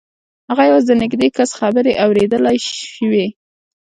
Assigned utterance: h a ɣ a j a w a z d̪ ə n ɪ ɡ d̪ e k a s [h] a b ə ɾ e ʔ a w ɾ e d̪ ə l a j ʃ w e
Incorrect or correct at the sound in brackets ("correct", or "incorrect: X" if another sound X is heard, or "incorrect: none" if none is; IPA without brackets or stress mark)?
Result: incorrect: x